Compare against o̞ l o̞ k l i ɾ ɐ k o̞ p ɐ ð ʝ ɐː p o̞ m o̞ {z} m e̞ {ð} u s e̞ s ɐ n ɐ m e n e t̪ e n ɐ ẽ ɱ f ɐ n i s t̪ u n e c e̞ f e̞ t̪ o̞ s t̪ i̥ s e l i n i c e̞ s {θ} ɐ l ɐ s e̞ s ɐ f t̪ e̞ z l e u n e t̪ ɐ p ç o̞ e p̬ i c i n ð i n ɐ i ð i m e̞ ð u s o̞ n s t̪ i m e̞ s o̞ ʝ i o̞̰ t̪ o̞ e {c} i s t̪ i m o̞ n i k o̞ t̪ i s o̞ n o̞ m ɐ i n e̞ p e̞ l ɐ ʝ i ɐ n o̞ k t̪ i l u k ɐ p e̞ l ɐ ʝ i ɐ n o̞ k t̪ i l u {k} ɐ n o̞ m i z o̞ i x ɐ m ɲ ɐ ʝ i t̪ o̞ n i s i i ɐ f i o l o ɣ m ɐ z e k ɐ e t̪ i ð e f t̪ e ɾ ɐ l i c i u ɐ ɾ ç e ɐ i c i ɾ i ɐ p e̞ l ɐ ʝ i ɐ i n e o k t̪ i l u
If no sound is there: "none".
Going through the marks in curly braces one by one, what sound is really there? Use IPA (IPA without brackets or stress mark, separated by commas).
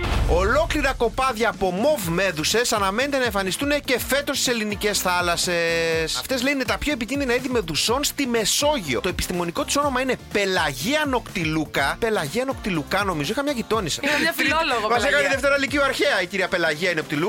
v, ð, θ, p, k